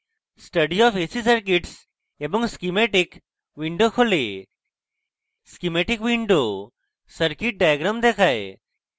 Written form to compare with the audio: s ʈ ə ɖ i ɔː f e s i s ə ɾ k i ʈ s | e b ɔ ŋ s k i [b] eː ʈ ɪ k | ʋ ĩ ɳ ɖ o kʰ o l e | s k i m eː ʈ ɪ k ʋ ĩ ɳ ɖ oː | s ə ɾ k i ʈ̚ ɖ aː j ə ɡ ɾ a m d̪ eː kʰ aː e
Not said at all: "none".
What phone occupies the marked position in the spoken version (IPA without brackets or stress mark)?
m